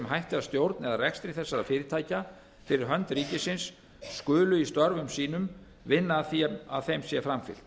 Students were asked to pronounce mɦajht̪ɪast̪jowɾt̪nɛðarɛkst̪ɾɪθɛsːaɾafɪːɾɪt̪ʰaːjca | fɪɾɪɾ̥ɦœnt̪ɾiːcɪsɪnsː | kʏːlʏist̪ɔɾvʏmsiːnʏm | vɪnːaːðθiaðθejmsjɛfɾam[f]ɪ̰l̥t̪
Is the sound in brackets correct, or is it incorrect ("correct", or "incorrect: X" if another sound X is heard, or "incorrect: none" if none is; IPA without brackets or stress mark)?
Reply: correct